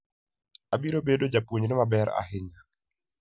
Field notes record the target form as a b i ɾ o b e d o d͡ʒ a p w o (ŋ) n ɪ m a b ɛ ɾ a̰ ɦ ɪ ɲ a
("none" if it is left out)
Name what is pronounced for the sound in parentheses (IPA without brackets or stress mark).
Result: ɲ